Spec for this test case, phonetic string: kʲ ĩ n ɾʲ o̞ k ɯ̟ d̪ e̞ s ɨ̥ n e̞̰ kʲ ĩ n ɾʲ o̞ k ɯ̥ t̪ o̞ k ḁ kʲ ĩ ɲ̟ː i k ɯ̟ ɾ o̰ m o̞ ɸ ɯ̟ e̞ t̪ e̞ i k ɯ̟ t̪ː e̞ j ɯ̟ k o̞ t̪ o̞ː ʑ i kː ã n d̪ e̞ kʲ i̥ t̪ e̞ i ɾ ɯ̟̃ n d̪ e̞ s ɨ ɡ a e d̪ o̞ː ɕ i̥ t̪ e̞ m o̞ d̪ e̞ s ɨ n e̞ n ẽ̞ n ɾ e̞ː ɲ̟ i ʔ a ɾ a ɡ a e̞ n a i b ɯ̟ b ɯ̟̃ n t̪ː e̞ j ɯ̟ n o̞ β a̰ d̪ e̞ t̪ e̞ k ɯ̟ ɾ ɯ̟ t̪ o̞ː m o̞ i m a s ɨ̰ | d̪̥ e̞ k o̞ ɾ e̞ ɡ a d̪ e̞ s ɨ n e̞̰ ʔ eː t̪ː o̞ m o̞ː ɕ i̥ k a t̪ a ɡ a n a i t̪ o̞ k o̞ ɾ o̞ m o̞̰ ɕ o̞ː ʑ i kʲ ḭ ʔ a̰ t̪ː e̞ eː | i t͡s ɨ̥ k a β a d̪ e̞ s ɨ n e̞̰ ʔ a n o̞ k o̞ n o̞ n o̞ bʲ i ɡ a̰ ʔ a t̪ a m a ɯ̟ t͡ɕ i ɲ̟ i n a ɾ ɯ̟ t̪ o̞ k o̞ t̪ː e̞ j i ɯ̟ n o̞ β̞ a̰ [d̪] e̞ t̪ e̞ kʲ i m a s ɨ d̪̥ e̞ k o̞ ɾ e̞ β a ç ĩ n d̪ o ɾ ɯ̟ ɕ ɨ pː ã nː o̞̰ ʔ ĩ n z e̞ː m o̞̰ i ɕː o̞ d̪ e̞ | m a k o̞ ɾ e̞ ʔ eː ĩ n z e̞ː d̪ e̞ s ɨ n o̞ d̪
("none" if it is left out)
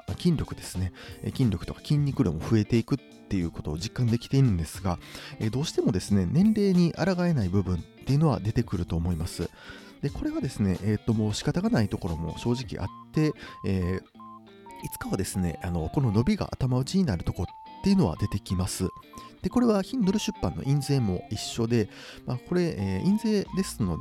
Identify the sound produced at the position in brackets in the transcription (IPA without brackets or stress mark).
d̪